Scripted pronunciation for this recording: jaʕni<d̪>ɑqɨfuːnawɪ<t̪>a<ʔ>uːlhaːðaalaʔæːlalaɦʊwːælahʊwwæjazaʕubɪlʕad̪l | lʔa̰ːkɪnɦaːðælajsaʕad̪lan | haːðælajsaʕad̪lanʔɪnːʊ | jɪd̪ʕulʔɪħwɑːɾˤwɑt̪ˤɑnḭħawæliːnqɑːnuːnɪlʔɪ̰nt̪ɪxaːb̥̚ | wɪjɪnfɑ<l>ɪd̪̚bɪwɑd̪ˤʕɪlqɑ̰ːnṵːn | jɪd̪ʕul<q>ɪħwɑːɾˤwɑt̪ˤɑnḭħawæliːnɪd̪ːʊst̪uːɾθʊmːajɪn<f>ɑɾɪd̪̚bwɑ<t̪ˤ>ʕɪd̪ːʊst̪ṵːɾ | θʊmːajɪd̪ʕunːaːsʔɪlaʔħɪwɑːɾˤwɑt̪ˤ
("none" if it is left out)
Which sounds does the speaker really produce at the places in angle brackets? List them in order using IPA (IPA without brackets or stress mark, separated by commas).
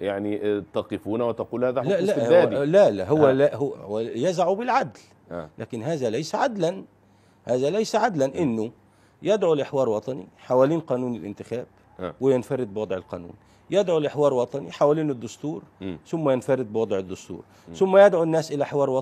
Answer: t̪, t̪, q, ɾ, ʔ, f, d̪ˤ